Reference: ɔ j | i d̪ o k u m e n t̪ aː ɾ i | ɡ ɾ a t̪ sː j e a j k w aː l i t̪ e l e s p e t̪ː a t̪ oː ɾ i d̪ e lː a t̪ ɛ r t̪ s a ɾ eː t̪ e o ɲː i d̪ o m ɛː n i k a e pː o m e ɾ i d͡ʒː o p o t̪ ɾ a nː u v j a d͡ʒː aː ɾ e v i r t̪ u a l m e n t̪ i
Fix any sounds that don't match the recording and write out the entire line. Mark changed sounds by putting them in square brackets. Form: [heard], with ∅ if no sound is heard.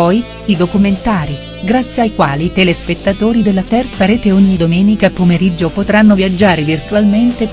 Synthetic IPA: ɔ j | i d̪ o k u m e n t̪ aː ɾ i | ɡ ɾ a t̪ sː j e a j k w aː l i t̪ e l e s p e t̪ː a t̪ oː ɾ i d̪ e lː a t̪ ɛ r t̪ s a ɾ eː t̪ e o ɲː i d̪ o m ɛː n i k a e pː o m e ɾ i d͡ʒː o p o t̪ ɾ a nː [o] v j a d͡ʒː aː ɾ e v i r t̪ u a l m e n t̪ [e]